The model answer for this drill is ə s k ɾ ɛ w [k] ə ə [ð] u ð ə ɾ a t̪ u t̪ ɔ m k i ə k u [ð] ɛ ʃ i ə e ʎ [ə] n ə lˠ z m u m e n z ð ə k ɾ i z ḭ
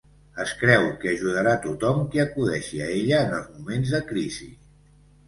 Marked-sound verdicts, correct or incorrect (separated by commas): correct, incorrect, correct, incorrect